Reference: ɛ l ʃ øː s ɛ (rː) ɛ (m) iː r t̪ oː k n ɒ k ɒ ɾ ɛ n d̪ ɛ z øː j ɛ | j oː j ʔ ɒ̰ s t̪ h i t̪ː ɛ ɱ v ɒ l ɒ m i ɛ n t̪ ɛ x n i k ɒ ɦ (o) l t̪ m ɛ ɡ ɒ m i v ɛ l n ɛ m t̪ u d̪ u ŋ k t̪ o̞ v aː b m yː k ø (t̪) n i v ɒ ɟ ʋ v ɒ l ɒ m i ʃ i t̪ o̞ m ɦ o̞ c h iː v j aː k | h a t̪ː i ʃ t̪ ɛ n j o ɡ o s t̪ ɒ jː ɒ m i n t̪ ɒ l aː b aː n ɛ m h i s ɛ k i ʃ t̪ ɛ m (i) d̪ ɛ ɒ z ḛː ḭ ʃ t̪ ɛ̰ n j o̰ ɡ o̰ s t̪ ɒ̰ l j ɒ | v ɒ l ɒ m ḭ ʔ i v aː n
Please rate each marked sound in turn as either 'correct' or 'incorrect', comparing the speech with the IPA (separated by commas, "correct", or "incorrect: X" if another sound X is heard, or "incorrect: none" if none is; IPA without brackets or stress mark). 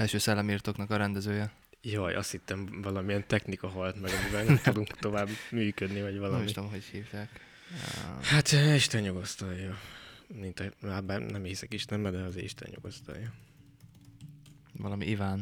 incorrect: lː, correct, incorrect: ɒ, incorrect: d̪, incorrect: ɛ